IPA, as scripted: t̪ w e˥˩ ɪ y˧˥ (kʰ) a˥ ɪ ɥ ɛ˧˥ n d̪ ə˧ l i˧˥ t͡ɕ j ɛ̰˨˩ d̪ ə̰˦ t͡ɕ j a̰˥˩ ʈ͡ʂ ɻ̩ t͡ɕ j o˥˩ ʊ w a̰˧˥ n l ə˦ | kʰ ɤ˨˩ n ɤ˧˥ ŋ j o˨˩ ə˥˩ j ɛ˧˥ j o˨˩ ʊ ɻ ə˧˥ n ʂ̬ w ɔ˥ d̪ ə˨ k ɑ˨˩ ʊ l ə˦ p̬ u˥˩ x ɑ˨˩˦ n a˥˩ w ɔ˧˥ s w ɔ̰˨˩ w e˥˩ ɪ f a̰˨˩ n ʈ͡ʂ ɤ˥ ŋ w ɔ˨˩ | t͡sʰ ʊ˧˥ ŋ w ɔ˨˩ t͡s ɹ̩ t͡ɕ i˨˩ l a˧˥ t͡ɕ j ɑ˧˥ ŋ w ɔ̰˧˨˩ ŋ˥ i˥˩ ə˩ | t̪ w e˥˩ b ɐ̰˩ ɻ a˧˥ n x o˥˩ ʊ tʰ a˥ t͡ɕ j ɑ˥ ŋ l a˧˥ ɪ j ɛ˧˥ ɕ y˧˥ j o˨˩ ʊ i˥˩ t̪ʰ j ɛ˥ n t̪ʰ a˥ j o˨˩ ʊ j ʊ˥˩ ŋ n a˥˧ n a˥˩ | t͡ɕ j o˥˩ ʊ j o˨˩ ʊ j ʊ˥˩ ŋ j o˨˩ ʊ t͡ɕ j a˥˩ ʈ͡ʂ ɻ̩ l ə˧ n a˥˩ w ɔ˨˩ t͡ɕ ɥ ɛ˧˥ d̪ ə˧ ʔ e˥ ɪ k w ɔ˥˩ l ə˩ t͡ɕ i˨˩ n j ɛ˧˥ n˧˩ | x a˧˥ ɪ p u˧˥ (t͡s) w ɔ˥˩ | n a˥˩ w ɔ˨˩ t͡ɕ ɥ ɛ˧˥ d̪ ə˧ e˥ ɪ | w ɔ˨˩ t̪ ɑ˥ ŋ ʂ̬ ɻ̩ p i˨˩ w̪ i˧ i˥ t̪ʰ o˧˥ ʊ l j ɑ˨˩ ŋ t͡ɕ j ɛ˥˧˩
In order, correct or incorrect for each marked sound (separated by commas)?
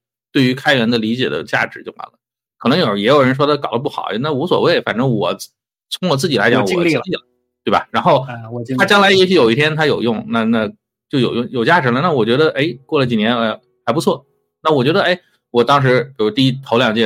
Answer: correct, incorrect